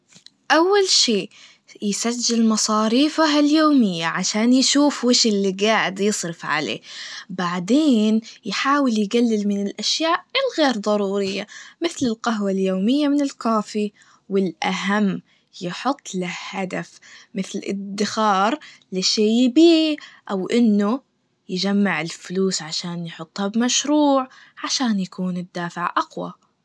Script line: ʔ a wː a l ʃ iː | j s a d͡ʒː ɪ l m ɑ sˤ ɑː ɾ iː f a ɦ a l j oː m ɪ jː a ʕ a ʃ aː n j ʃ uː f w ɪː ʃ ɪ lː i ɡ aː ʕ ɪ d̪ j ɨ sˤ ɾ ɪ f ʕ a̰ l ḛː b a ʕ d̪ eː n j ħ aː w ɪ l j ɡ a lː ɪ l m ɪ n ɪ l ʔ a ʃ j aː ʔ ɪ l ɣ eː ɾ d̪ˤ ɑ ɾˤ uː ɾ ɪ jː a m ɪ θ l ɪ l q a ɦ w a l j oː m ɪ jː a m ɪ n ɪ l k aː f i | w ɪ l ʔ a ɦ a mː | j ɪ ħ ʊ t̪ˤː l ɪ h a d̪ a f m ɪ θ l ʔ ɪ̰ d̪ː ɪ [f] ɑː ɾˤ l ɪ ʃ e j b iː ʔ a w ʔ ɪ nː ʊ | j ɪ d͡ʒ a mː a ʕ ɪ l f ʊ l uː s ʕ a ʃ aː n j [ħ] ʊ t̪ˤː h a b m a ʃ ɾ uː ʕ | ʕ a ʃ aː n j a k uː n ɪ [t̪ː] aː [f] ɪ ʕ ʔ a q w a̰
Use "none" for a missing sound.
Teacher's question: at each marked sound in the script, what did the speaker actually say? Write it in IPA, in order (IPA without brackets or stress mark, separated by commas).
x, ħ, d̪ː, f